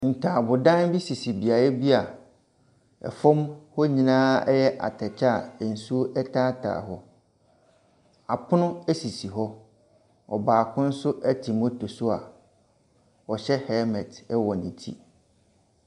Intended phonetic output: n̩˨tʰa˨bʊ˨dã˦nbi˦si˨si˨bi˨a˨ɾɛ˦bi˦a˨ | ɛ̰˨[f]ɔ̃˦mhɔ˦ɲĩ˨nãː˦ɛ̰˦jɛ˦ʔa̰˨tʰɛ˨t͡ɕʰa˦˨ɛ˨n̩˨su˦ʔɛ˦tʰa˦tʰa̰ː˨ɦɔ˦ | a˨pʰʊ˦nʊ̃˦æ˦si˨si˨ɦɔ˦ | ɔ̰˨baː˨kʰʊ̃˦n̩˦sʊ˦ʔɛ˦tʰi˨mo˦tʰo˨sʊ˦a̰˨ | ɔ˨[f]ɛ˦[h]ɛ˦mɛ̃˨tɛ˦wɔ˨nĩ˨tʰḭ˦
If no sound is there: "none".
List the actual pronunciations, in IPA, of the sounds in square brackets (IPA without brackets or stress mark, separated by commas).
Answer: f, ɕ, h